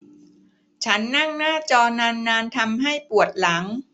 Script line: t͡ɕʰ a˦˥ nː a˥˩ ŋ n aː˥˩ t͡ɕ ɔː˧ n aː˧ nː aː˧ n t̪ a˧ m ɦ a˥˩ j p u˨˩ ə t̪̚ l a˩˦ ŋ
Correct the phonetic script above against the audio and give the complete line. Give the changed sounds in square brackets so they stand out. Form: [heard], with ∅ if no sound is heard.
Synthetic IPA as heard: t͡ɕʰ a˦˥ nː a˥˩ ŋ n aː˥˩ t͡ɕ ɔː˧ n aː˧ nː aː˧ n [t̪ʰ] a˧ m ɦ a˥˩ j p u˨˩ ə t̪̚ l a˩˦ ŋ